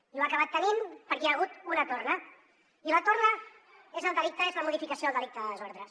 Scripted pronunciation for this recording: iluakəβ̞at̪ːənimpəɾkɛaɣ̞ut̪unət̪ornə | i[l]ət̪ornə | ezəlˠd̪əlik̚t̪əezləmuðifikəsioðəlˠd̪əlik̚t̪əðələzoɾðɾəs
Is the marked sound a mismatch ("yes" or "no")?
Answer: no